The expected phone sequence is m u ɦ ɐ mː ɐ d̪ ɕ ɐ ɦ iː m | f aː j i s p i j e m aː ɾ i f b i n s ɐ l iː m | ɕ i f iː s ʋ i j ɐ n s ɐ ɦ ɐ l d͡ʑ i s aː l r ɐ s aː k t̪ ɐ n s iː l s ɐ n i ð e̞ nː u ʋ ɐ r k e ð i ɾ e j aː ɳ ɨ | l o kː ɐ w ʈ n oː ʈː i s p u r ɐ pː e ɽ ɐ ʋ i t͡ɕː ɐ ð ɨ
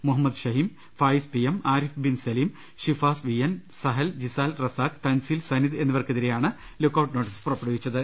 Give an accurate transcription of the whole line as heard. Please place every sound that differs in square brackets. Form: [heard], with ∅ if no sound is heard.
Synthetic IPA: m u ɦ ɐ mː ɐ d̪ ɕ ɐ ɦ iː m | f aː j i s p i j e m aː ɾ i f b i n s ɐ l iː m | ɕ i f [aː] s ʋ i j ɐ n s ɐ ɦ ɐ l d͡ʑ i s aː l r ɐ s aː k t̪ ɐ n s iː l s ɐ n i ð e̞ nː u ʋ ɐ r k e ð i ɾ e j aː ɳ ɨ | l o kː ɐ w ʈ n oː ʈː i s p u r ɐ pː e ɽ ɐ ʋ i t͡ɕː ɐ ð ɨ